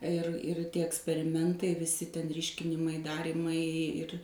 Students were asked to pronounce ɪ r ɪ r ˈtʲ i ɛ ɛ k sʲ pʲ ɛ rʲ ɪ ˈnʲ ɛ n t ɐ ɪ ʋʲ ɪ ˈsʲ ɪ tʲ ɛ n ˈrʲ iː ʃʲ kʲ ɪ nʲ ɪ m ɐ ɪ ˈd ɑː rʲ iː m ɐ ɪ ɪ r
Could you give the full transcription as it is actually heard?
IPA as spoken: ɪ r ɪ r ˈtʲ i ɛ ɛ k sʲ pʲ ɛ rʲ ɪ ˈmʲ ɛ n t ɐ ɪ ʋʲ ɪ ˈsʲ ɪ tʲ ɛ n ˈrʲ iː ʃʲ kʲ ɪ nʲ ɪ m ɐ ɪ ˈd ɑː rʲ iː m ɐ ɪ ɪ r